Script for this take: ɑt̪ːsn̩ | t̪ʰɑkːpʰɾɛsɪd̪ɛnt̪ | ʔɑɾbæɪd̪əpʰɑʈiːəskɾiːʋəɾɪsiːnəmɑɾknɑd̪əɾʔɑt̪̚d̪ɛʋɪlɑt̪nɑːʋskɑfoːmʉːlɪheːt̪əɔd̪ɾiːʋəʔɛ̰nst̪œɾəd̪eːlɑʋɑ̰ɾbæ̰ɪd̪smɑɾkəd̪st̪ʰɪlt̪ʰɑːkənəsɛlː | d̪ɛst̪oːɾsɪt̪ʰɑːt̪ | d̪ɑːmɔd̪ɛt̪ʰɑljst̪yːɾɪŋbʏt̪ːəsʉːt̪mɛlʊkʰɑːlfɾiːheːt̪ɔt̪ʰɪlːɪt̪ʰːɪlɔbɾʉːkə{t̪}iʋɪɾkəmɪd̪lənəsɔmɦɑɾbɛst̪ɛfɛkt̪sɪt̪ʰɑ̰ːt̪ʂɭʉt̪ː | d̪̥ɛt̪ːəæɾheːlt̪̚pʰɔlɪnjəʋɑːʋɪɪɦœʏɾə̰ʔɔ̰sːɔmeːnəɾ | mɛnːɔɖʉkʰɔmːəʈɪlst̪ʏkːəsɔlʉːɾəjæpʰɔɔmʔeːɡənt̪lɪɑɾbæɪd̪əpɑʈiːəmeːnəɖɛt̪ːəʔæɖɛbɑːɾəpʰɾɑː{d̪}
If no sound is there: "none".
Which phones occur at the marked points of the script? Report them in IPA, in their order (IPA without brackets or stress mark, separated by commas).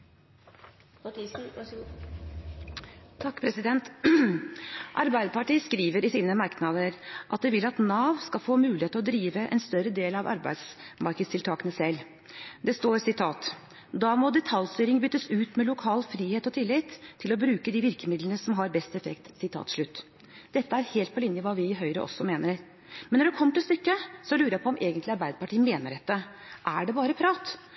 d̪, t̪